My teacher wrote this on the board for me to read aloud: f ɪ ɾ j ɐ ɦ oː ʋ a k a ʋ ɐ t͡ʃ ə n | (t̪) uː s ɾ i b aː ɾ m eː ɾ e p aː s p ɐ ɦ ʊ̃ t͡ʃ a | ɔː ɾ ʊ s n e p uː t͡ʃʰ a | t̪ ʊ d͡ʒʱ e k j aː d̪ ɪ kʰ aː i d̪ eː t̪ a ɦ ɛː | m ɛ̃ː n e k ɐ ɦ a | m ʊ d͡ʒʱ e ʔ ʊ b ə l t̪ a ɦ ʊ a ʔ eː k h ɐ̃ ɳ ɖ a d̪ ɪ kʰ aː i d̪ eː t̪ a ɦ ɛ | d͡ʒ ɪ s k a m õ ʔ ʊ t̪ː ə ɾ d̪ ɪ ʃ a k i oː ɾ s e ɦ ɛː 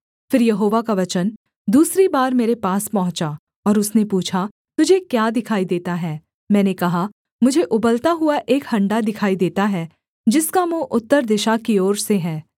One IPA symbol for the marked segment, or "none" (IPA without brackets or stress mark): d̪